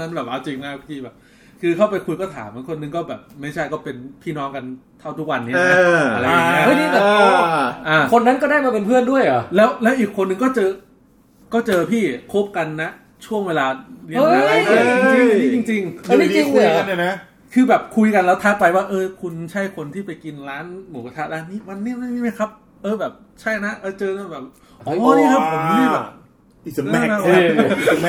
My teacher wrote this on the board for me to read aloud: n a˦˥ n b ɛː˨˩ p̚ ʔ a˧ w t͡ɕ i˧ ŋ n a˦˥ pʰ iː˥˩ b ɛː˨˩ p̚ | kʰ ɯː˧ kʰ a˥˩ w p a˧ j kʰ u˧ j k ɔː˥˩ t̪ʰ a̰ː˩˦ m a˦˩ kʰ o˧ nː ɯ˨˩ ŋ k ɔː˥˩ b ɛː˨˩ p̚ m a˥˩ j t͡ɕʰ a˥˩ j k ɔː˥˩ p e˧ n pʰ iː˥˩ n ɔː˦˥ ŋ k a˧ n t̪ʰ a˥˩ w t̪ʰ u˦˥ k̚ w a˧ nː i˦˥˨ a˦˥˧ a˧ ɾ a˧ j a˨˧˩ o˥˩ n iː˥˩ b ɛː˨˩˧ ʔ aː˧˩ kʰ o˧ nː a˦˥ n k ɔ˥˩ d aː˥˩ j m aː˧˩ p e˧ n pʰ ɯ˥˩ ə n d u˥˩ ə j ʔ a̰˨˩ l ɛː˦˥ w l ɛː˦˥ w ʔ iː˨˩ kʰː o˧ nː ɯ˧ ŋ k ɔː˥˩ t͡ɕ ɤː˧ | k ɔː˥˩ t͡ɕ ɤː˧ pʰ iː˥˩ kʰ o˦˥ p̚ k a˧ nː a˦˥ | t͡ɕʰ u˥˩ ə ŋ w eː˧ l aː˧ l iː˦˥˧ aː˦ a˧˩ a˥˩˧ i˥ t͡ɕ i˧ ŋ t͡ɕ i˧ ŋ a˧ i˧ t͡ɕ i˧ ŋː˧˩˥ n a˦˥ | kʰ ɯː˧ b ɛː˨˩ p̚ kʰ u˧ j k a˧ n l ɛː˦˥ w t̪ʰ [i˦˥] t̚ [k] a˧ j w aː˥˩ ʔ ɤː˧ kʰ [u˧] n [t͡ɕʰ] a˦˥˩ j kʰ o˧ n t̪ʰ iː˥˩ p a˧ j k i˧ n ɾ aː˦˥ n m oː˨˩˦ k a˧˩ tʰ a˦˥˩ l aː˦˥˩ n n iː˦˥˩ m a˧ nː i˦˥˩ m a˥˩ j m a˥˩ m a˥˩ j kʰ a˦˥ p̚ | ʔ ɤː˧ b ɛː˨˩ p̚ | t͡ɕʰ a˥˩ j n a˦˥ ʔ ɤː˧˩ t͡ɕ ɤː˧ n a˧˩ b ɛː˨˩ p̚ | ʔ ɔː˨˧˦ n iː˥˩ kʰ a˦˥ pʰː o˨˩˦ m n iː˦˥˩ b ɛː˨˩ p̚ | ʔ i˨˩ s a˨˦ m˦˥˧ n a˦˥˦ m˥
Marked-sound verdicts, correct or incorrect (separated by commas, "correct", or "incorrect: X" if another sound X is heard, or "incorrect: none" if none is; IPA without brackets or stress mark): incorrect: a˦˥, incorrect: p, correct, correct